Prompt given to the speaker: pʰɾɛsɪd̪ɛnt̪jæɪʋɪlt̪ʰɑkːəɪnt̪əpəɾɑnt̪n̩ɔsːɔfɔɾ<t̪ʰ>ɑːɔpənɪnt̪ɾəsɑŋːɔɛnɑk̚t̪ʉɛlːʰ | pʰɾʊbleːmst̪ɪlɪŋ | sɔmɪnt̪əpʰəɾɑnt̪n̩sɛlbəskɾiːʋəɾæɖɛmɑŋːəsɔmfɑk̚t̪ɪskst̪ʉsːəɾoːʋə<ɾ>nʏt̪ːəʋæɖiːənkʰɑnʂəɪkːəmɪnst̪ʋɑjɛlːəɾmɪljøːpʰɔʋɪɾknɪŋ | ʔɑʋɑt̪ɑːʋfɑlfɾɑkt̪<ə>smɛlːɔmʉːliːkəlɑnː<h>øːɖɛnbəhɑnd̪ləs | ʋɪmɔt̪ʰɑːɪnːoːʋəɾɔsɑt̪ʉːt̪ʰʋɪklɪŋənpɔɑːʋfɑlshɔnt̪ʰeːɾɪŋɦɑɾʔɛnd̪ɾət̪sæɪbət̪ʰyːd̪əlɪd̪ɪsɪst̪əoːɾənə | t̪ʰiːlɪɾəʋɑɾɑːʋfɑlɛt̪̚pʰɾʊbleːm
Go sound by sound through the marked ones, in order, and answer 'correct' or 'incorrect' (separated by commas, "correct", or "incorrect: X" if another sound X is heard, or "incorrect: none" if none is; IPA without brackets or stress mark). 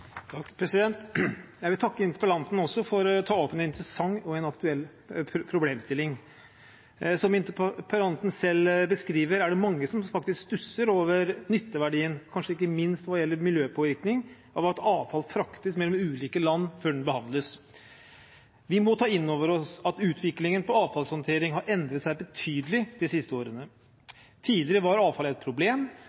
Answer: correct, correct, correct, incorrect: f